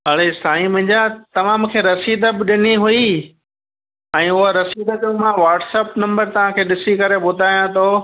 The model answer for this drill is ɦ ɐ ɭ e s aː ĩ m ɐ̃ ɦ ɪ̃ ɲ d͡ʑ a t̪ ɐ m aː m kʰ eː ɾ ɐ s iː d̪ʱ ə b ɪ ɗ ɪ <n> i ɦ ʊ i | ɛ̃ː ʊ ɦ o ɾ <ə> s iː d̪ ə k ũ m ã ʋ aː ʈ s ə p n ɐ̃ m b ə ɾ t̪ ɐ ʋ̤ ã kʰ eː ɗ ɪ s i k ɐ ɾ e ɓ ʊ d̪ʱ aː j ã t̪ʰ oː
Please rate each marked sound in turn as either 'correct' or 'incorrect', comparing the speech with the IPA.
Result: correct, incorrect: ɐ

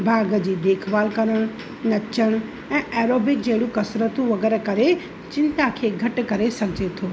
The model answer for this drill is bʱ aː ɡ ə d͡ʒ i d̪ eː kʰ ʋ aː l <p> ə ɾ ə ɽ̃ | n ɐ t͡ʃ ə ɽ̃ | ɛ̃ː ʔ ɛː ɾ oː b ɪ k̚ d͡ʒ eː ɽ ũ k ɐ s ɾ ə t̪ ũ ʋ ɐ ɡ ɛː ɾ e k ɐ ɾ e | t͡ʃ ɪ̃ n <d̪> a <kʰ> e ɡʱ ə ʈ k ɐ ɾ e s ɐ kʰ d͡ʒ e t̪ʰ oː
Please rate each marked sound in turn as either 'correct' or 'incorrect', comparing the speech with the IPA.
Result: incorrect: k, incorrect: t̪, correct

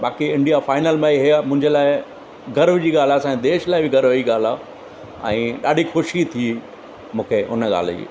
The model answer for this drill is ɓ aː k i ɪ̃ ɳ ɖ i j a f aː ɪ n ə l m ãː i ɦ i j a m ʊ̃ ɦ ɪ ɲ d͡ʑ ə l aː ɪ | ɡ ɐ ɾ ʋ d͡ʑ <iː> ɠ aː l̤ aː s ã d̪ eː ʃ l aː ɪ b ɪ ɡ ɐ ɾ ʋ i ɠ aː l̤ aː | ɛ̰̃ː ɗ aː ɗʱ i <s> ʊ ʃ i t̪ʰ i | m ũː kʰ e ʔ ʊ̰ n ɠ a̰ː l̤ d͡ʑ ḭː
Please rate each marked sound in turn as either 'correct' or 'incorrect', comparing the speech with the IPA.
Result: correct, incorrect: x

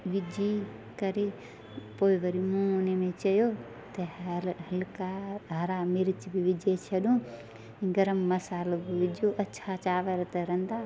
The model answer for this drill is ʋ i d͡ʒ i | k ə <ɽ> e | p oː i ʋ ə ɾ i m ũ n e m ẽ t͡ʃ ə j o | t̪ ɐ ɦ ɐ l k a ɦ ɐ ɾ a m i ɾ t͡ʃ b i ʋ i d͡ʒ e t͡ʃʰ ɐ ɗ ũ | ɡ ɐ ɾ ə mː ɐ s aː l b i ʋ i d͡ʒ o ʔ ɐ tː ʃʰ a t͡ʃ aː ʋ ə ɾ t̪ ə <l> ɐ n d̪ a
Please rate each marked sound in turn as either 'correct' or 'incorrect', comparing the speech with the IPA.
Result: incorrect: ɾ, incorrect: ɾ

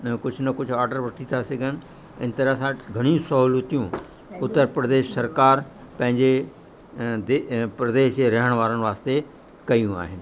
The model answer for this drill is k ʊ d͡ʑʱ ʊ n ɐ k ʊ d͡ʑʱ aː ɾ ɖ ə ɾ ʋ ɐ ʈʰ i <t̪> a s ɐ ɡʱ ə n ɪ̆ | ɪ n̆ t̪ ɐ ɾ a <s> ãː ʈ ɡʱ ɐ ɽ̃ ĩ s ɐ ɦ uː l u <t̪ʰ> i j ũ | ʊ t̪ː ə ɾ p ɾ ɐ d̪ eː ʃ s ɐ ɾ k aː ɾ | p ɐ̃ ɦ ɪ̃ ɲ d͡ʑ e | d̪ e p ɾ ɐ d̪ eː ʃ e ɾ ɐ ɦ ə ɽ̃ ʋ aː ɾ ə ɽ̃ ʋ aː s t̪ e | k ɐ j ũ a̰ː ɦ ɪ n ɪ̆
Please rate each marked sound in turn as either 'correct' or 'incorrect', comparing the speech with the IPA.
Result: incorrect: t̪ʰ, correct, incorrect: t̪

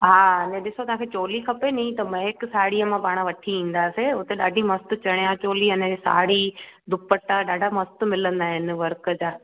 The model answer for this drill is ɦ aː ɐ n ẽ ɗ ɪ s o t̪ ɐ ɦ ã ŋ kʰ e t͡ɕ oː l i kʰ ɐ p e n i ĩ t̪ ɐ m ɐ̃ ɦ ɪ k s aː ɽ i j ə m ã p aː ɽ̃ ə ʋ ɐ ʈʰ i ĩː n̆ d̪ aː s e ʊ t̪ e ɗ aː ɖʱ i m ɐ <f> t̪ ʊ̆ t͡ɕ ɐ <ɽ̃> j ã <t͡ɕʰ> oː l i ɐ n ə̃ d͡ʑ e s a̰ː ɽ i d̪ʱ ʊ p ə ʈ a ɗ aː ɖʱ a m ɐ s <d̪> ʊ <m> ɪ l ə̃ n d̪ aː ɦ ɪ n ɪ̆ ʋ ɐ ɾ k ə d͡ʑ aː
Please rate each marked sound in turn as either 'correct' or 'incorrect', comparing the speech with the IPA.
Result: incorrect: s, correct, incorrect: t͡ɕ, incorrect: t̪, correct

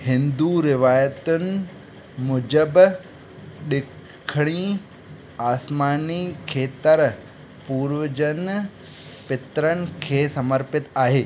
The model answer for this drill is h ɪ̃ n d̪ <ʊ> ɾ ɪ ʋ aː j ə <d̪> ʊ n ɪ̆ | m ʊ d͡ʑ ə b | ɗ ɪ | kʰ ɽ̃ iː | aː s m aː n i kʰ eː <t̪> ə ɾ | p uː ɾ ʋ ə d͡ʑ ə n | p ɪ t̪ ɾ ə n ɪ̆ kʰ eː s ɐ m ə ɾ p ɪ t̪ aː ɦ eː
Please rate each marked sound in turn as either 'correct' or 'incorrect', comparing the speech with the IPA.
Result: incorrect: u, incorrect: t̪, correct

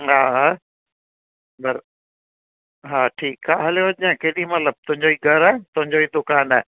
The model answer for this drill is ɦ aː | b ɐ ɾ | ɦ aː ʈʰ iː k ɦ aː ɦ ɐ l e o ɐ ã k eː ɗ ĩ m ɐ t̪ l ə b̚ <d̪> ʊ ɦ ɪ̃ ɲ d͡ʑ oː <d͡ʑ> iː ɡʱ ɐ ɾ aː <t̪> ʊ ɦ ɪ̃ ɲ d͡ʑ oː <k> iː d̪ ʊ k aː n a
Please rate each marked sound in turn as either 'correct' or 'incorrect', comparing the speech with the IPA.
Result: incorrect: t̪, incorrect: none, correct, incorrect: none

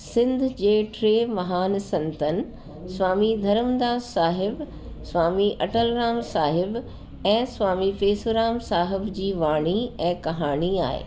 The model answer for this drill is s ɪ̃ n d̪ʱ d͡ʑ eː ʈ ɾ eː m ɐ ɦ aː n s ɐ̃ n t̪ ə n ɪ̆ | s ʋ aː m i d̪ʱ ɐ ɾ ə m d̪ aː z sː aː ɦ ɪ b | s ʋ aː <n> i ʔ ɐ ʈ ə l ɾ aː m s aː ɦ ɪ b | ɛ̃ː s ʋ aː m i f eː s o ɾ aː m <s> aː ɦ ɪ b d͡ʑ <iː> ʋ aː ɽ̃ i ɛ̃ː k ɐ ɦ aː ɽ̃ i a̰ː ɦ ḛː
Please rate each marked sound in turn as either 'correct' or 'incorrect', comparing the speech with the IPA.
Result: incorrect: m, correct, correct

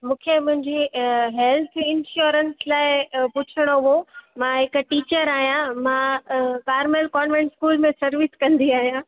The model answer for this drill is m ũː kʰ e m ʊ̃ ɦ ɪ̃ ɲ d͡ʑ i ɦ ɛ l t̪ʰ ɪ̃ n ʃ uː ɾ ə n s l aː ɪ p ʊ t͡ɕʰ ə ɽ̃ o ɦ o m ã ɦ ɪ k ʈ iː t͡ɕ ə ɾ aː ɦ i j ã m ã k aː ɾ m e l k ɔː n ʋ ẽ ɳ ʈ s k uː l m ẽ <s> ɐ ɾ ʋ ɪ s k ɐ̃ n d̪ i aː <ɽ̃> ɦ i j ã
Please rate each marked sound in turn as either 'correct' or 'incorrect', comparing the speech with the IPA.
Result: correct, incorrect: none

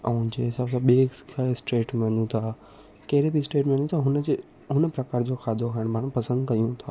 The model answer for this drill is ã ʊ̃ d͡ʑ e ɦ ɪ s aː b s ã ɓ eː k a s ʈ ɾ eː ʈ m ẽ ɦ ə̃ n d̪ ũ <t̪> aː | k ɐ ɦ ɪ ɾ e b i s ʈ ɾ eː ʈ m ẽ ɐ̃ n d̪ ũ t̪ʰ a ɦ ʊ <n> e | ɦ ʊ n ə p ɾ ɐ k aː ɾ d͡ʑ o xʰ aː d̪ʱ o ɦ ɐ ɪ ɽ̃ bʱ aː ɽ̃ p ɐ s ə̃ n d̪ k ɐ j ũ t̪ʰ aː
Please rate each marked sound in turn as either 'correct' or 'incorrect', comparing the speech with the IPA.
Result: incorrect: t̪ʰ, correct

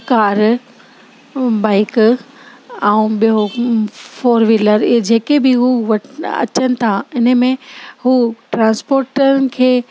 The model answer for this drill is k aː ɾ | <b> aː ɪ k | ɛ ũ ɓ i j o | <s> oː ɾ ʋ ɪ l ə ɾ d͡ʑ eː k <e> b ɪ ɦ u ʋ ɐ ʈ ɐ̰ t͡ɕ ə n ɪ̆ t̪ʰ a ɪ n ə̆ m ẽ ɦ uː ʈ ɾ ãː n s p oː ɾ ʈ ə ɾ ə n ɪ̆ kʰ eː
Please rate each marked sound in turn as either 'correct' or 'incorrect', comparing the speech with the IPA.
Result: correct, incorrect: f, correct

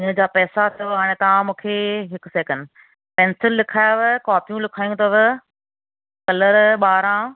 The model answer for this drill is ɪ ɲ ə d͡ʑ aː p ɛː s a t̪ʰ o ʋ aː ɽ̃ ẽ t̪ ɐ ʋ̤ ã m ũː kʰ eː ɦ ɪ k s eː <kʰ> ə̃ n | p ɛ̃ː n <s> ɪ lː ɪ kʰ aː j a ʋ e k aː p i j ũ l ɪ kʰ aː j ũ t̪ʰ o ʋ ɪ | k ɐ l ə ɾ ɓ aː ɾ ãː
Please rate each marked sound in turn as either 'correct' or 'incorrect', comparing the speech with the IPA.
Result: incorrect: k, correct

